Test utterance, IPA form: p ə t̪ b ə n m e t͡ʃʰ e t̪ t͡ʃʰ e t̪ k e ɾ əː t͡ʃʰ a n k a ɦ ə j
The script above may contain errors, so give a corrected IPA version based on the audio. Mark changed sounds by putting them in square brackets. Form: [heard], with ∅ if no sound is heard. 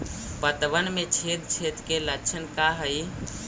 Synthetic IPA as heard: p ə t̪ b ə n m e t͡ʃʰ e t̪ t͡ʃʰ e t̪ k e [l] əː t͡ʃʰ [ə] n k a ɦ ə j